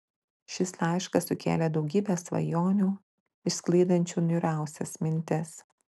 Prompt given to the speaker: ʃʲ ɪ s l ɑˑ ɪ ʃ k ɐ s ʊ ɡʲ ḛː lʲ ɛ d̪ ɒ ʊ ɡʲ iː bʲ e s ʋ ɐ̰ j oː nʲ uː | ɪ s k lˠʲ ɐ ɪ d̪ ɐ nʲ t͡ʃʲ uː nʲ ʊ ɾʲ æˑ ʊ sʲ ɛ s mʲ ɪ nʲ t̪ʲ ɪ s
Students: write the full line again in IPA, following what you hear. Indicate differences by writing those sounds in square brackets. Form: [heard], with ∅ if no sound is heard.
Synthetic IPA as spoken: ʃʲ ɪ s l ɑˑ ɪ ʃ k ɐ s ʊ [kʲ] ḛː lʲ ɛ d̪ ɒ ʊ ɡʲ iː bʲ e s ʋ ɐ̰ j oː nʲ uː | ɪ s k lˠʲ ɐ ɪ d̪ ɐ nʲ t͡ʃʲ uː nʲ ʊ ɾʲ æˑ ʊ sʲ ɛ s mʲ ɪ nʲ t̪ʲ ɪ s